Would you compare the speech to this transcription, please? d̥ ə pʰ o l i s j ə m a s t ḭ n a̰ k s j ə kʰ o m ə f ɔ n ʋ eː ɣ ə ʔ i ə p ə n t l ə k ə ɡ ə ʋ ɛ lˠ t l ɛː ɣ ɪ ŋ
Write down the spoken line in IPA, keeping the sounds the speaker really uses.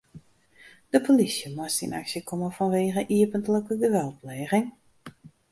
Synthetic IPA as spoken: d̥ ə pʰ o l i s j ə m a s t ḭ n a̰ k s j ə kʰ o m ə f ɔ n ʋ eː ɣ ə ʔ i ə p ə n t l ə k ə ɡ ə ʋ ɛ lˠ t l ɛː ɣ ɪ ŋ